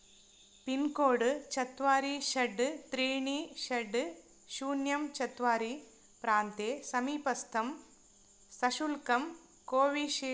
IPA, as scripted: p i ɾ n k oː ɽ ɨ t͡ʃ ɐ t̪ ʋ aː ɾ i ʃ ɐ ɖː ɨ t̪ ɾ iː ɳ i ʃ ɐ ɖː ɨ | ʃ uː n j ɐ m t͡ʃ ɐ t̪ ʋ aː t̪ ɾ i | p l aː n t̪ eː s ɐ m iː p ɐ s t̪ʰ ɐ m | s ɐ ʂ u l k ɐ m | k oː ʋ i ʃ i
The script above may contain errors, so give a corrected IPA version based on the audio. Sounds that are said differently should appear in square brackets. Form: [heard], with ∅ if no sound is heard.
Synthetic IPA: p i [∅] n k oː ɽ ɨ t͡ʃ ɐ t̪ ʋ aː ɾ i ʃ ɐ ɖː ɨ t̪ ɾ iː ɳ i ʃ ɐ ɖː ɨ | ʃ uː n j ɐ m t͡ʃ ɐ t̪ ʋ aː [∅] ɾ i | p [ɾ] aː n t̪ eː s ɐ m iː p ɐ s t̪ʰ ɐ m | s ɐ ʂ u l k ɐ m | k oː ʋ i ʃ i